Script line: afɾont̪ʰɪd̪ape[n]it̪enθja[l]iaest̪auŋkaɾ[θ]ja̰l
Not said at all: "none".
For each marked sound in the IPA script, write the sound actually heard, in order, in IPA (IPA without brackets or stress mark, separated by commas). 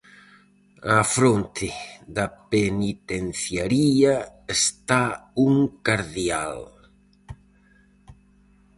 n, ɾ, ð